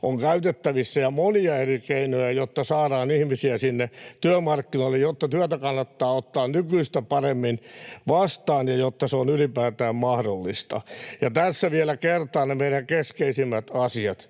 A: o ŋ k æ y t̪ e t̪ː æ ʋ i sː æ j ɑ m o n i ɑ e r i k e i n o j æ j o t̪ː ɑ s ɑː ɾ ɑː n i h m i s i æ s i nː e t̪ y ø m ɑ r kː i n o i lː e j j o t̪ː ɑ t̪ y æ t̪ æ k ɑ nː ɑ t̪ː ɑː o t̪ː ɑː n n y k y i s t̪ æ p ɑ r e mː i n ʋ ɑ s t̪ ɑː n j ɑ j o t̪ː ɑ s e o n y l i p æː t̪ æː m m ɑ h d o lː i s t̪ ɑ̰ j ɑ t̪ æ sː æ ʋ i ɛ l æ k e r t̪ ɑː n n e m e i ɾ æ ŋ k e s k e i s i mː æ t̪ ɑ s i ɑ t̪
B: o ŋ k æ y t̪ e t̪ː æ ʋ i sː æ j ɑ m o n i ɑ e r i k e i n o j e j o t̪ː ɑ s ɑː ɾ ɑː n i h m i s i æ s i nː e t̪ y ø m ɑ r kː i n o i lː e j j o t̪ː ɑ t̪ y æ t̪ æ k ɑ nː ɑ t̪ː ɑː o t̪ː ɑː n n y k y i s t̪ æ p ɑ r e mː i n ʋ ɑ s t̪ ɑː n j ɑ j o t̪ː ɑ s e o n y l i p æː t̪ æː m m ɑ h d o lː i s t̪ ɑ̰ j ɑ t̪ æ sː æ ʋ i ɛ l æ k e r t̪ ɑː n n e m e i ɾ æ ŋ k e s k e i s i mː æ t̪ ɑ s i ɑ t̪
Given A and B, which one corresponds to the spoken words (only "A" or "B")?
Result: A